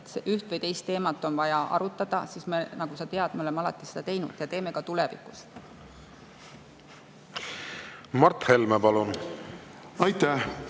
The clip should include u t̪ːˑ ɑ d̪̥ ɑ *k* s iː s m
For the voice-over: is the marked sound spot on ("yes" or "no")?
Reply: no